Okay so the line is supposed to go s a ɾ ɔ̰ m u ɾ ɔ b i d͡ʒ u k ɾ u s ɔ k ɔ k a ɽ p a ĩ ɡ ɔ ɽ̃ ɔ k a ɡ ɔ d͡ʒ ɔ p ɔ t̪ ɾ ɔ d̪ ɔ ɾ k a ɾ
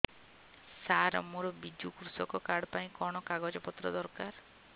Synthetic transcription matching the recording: s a ɾ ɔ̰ m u ɾ ɔ b i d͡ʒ u k ɾ u s ɔ k ɔ k a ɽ p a ĩ k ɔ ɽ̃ ɔ k a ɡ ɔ d͡ʒ ɔ p ɔ t̪ ɾ ɔ d̪ ɔ ɾ k a ɾ